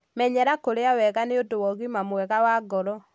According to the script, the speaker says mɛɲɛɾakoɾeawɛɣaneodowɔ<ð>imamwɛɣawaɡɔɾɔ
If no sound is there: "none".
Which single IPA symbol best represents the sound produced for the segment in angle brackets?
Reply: ɣ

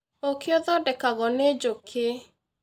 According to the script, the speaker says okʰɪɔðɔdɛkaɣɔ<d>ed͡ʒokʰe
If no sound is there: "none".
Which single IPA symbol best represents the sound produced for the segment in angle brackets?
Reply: n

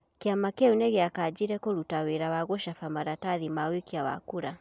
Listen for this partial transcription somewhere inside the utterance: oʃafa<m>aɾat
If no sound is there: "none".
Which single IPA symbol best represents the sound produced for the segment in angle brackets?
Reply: m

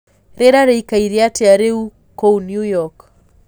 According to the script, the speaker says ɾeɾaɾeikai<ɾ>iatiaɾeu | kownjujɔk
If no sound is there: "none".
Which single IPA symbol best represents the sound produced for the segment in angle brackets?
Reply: ɾ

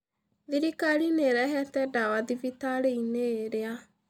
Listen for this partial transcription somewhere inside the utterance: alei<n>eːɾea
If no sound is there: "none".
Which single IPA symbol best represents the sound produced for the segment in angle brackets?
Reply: n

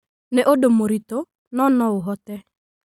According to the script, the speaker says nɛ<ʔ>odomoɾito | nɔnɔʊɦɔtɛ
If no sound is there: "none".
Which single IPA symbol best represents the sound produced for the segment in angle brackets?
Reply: ʔ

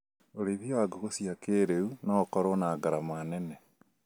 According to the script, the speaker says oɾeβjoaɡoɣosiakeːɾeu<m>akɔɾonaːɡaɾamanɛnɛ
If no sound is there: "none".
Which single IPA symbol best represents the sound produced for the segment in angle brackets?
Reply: n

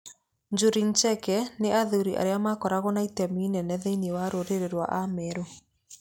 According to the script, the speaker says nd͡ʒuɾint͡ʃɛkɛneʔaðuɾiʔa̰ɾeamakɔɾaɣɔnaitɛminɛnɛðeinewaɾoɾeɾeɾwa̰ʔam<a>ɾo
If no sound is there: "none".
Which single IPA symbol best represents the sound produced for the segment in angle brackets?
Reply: ɛ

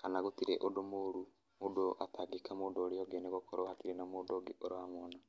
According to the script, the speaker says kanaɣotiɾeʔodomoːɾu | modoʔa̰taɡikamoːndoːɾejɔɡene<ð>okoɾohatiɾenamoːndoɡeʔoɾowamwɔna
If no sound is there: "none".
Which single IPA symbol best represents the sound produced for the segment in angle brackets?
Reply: ɣ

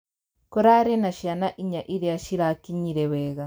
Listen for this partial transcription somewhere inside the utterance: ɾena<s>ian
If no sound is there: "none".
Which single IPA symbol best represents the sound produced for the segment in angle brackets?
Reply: ʃ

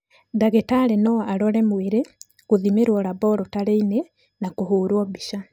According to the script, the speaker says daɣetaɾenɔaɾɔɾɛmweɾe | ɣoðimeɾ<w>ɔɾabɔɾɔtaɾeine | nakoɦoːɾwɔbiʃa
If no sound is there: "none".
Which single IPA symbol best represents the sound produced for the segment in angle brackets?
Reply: w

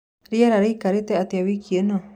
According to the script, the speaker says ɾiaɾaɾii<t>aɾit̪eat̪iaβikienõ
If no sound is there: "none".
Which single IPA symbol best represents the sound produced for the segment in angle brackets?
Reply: k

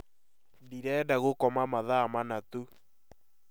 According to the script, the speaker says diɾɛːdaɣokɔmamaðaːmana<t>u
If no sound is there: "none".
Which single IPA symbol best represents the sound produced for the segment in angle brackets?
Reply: t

